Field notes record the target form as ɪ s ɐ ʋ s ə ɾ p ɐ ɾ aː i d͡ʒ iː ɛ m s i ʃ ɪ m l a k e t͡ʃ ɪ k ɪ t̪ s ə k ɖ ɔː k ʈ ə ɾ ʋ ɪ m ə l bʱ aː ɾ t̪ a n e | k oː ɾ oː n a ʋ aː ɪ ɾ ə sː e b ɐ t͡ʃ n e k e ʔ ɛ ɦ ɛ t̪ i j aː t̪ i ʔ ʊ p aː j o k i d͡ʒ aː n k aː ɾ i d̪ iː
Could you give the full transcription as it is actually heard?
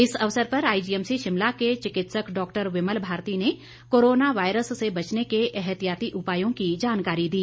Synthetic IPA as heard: ɪ s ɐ ʋ s ə ɾ p ɐ ɾ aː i d͡ʒ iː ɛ m s i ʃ ɪ m l a k e t͡ʃ ɪ k ɪ t̪ s ə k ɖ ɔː k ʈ ə ɾ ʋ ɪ m ə l bʱ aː ɾ t̪ i n e | k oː ɾ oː n a ʋ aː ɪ ɾ ə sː e b ɐ t͡ʃ n e k e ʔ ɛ ɦ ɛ t̪ i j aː t̪ i ʔ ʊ p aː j õ k i d͡ʒ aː n k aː ɾ i d̪ iː